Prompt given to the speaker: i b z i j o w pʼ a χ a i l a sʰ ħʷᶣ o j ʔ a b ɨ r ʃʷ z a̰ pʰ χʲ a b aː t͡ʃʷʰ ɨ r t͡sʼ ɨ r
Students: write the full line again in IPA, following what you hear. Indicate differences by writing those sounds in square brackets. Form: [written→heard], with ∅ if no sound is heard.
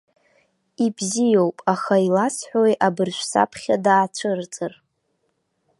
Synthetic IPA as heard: i b z i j o w pʼ a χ a i l a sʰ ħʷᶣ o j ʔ a b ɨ r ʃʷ [z→s] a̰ pʰ χʲ a [b→d] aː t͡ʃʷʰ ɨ r t͡sʼ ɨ r